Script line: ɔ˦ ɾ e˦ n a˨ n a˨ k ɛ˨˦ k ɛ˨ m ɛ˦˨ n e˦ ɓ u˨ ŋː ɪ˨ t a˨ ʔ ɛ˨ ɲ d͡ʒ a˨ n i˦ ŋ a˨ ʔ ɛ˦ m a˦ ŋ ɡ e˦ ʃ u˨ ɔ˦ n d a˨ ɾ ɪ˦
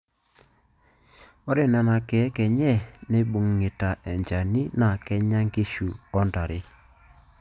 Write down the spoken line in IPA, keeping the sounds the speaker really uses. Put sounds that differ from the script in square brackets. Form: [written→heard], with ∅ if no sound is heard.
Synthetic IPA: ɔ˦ ɾ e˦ n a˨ n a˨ k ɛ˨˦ k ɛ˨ [m→ɲ] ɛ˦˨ n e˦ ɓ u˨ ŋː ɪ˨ t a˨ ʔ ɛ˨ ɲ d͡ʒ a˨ n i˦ [ŋ→n] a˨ [ʔ→k] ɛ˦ [m→ɲ] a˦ ŋ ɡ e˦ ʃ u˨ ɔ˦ n d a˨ ɾ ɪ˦